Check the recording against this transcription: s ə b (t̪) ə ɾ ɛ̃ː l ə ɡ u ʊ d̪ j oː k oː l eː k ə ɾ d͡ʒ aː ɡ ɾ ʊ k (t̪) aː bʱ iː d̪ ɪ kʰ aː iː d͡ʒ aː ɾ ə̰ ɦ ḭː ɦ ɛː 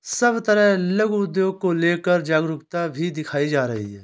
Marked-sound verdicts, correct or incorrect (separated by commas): correct, correct